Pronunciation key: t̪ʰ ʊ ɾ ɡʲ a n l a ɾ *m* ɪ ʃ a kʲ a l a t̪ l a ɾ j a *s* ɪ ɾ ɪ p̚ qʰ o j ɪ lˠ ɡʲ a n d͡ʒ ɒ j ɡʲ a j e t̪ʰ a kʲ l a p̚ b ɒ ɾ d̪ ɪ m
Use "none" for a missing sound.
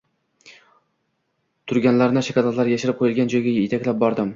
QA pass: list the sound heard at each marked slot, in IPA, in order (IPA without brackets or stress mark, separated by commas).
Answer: n, ʃ